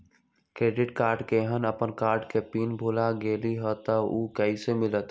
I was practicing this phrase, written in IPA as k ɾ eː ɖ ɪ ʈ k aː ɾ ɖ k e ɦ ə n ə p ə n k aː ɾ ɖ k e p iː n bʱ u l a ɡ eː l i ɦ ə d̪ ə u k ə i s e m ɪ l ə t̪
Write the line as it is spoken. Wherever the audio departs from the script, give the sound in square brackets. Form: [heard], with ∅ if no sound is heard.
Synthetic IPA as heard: k ɾ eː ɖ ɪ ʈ k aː ɾ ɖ k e ɦ ə n ə p ə n k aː ɾ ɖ k e p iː n bʱ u l a ɡ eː l i ɦ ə [t̪] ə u k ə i s e m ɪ l ə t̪

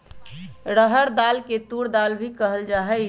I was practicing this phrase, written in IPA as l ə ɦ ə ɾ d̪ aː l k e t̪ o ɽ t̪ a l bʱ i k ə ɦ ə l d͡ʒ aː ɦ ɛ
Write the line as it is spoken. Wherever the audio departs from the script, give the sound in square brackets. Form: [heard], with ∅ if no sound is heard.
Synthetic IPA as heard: [ɾ] ə ɦ ə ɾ d̪ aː l k e t̪ [u] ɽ [d̪] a l bʱ i k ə ɦ ə l d͡ʒ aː ɦ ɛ

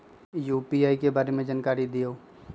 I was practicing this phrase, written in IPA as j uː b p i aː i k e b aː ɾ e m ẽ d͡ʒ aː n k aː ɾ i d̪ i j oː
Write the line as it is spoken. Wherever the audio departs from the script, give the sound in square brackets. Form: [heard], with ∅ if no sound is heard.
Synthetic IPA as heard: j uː [∅] p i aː i k e b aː ɾ e m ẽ d͡ʒ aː n k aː ɾ i d̪ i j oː

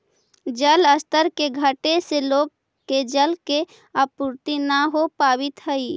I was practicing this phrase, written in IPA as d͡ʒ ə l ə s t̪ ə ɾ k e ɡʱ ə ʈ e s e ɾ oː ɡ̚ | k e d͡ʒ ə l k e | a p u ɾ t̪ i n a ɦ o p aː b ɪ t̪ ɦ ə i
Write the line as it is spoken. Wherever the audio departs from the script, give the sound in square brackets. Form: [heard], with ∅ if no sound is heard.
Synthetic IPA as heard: d͡ʒ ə l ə s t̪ ə ɾ k e ɡʱ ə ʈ e s e [l] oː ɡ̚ | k e d͡ʒ ə l k e | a p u ɾ t̪ i n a ɦ o p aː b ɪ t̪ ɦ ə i

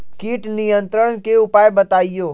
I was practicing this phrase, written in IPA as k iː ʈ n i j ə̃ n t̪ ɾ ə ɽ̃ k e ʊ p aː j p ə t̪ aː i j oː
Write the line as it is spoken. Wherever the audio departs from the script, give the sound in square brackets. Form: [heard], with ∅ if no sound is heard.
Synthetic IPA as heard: k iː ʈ n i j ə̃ n t̪ ɾ ə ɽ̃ k e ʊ p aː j [b] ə t̪ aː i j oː

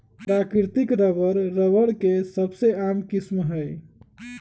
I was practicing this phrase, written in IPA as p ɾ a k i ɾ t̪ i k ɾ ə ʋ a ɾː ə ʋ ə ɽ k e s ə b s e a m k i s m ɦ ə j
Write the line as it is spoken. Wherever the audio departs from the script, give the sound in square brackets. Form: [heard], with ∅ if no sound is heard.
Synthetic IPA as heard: p ɾ a k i ɾ t̪ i k ɾ ə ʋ [ə] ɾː ə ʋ ə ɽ k e s ə b s e a m k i s m ɦ ə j

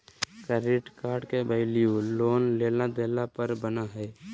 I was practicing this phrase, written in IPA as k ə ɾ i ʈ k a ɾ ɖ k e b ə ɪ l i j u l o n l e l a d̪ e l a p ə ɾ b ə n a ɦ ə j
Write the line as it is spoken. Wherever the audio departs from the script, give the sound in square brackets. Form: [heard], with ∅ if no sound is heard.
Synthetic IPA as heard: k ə ɾ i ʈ k a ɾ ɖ k e b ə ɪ l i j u l o n l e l a d̪ e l a p ə ɾ b ə n a ɦ ə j

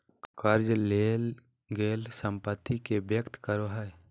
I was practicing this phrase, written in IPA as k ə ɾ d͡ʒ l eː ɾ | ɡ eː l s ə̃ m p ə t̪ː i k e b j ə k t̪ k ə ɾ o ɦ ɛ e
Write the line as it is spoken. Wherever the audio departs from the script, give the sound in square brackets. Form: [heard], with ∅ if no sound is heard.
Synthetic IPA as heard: k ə ɾ d͡ʒ l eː [l] | ɡ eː l s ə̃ m p ə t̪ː i k e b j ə k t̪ k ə ɾ o ɦ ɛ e

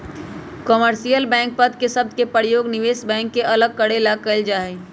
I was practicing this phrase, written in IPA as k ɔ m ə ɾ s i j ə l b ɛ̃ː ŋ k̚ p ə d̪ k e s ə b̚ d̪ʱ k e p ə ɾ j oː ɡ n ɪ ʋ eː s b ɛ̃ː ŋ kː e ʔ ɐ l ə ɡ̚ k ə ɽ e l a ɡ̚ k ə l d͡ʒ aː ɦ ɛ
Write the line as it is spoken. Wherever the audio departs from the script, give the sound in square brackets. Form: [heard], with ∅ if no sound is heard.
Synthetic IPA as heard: k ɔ m ə ɾ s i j ə l b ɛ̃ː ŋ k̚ p ə d̪ k e s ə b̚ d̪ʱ k e p ə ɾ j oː ɡ n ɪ ʋ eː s b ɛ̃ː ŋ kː e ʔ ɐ l ə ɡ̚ k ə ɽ e l a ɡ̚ k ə l d͡ʒ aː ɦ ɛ

